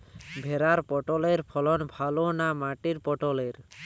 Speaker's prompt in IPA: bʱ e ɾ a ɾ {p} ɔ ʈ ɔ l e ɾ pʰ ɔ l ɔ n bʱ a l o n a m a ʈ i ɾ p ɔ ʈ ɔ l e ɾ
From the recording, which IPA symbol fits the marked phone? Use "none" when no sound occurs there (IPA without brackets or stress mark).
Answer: p